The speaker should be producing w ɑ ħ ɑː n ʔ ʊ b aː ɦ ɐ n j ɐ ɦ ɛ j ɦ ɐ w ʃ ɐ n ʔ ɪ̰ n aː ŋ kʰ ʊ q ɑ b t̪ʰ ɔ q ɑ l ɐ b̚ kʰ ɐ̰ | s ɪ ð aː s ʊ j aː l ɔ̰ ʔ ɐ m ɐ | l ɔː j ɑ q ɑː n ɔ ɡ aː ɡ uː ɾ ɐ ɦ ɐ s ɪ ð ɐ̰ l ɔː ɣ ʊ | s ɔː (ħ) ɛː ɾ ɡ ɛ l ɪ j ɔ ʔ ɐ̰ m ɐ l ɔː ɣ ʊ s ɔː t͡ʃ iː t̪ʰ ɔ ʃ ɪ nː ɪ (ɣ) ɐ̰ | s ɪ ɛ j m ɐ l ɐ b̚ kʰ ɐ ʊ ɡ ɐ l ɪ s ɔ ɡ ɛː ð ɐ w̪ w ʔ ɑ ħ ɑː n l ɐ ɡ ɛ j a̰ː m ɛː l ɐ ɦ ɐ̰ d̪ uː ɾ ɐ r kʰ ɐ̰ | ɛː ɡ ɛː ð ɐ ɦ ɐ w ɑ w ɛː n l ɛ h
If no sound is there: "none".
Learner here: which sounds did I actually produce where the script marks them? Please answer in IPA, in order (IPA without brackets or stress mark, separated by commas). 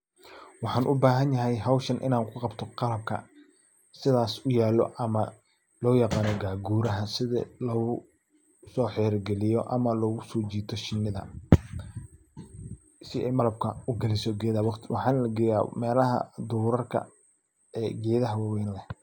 ħ, ð